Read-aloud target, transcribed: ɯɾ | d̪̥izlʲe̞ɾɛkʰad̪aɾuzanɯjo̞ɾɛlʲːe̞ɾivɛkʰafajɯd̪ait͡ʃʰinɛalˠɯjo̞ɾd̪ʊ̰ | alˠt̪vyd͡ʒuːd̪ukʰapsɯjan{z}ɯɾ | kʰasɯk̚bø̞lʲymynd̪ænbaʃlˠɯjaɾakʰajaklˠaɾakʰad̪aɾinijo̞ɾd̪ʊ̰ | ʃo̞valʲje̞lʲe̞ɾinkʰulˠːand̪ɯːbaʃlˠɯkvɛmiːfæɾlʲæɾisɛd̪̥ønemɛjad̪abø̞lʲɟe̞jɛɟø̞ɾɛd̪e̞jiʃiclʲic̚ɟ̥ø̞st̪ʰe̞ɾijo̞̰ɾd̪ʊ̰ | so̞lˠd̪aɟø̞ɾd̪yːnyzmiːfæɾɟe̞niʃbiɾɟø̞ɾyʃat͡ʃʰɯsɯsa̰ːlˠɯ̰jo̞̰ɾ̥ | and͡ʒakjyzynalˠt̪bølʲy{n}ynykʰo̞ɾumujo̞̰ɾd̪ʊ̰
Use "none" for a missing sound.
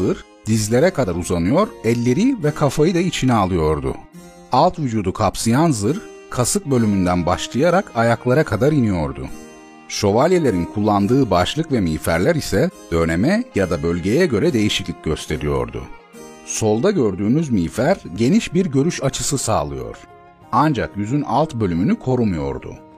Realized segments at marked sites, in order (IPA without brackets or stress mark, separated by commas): z, m